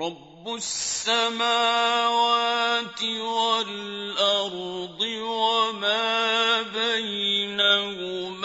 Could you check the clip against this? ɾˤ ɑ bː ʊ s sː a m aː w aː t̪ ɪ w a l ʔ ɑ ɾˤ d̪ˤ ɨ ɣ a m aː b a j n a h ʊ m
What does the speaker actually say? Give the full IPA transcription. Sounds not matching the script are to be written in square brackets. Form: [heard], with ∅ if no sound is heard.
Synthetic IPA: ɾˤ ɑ bː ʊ s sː a m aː w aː t̪ ɪ w a l ʔ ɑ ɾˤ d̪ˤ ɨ [w] a m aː b a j n a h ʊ m